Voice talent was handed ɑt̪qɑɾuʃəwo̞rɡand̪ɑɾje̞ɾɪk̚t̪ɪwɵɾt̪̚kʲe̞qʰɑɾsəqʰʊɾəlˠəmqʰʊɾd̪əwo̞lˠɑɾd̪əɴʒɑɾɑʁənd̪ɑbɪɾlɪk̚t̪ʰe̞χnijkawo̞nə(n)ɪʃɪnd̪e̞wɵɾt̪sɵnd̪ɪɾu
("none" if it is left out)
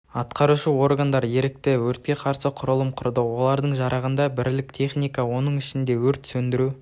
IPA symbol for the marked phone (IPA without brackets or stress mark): ɴ